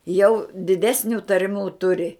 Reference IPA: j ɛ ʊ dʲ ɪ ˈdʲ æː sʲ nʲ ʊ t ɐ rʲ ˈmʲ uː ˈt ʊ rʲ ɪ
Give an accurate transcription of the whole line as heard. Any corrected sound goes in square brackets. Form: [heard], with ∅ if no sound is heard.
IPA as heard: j ɛ ʊ dʲ ɪ ˈdʲ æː sʲ nʲ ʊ t ɐ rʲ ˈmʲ uː ˈt ʊ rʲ ɪ